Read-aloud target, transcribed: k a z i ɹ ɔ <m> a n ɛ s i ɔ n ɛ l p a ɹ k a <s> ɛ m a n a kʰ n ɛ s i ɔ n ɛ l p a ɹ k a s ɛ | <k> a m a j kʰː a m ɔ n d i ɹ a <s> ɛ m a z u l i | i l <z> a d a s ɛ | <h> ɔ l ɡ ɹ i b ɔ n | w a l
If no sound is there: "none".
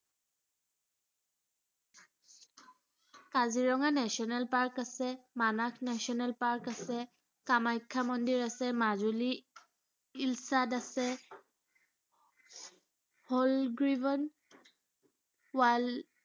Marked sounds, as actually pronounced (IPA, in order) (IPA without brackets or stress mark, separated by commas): ŋ, s, k, s, s, h